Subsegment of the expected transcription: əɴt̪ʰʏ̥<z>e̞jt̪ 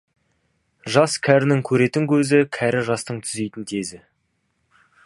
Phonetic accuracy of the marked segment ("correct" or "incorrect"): correct